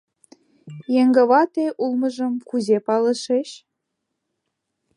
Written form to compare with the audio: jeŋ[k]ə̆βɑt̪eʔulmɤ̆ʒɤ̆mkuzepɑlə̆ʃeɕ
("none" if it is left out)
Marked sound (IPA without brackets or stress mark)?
ɡ